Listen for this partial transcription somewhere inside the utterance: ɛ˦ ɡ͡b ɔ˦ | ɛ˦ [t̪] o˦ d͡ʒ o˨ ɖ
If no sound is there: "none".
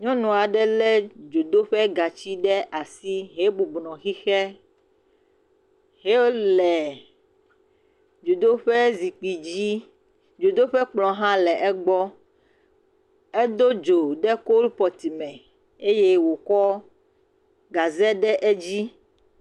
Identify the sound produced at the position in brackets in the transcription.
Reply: d̪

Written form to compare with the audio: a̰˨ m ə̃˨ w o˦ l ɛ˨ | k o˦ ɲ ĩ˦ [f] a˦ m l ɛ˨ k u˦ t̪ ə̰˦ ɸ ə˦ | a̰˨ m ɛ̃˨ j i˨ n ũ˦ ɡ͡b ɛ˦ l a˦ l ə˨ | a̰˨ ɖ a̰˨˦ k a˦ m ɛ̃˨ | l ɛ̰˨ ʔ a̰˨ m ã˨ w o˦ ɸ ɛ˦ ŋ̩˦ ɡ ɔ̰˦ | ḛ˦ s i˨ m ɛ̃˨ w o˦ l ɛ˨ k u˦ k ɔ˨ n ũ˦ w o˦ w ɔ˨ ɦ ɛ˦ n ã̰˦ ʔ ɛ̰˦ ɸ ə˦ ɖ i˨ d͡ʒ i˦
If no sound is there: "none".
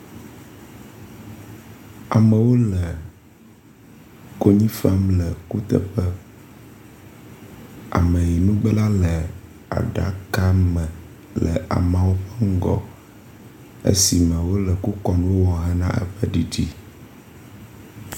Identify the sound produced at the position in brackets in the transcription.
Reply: f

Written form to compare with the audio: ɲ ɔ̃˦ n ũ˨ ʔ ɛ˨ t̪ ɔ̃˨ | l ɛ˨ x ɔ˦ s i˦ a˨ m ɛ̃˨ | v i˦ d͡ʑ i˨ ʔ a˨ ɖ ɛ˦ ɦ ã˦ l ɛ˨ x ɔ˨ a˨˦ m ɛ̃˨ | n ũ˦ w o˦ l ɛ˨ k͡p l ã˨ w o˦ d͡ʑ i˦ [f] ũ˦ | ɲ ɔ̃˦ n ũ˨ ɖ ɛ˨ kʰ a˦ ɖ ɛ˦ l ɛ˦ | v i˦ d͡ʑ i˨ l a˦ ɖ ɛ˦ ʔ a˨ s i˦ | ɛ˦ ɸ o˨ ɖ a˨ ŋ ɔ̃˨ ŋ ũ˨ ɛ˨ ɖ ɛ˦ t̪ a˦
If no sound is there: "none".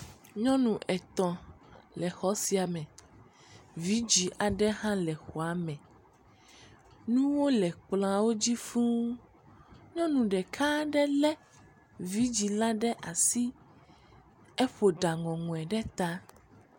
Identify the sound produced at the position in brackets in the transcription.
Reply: f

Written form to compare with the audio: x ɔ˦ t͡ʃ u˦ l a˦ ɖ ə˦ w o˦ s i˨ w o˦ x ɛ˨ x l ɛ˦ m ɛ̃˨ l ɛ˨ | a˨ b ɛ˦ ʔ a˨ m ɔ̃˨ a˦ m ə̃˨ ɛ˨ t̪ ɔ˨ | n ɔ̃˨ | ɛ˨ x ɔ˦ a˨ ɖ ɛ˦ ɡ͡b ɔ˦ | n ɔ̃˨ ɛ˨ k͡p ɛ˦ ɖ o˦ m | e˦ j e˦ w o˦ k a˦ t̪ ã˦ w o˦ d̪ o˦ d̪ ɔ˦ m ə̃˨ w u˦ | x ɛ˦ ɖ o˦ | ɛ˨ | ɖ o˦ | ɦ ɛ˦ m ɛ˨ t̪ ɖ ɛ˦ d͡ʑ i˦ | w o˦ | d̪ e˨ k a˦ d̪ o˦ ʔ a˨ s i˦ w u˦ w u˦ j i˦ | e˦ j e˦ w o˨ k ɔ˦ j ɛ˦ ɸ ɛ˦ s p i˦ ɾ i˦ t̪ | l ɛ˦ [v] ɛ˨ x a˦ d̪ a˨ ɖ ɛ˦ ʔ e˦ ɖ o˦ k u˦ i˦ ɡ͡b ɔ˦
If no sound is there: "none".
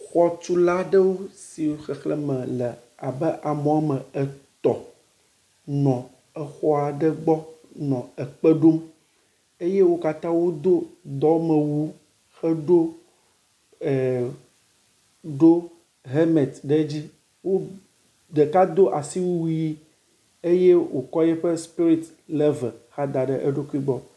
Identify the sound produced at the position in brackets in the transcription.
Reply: v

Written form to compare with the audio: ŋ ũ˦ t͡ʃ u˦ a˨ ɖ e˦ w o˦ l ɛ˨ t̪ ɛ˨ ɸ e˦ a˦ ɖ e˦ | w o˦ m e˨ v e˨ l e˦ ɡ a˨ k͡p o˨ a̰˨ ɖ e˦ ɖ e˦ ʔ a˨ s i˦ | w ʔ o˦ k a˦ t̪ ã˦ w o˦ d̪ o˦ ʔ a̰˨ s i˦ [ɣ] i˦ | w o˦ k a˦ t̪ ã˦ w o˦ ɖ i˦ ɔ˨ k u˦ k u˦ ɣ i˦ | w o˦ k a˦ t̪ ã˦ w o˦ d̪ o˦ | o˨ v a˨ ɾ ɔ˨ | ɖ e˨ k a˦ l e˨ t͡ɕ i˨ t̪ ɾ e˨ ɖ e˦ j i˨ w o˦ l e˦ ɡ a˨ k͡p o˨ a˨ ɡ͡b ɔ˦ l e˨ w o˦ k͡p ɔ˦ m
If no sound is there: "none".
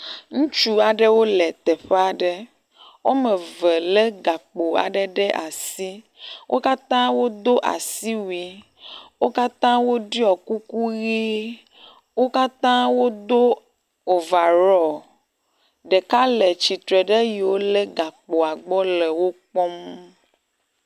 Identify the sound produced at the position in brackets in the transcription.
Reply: w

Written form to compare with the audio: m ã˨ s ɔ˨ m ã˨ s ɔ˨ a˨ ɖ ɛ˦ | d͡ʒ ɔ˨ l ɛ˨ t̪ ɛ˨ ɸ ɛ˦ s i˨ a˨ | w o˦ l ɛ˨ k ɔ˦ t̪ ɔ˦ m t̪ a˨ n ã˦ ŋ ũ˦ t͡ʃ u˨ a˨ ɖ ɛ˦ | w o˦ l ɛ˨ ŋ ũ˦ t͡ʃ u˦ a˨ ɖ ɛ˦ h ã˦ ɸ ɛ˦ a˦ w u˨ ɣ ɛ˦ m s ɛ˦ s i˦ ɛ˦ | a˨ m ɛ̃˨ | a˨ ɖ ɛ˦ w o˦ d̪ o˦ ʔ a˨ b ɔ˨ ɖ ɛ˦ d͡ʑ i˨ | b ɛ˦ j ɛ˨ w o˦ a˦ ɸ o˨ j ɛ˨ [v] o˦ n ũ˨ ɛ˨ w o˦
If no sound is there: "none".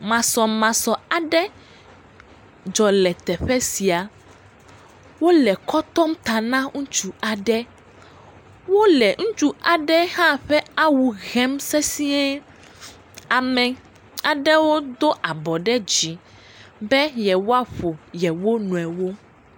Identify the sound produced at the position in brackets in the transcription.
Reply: w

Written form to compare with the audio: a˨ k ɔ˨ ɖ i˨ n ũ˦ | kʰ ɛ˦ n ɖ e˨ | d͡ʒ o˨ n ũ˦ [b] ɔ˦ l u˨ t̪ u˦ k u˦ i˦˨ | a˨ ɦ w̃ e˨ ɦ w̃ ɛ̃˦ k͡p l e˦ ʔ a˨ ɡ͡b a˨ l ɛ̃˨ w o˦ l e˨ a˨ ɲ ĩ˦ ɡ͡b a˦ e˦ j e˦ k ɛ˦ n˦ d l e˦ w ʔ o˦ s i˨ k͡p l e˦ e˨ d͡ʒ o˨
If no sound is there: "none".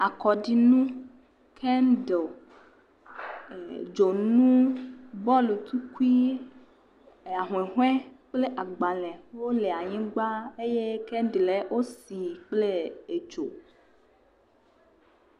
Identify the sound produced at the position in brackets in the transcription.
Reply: b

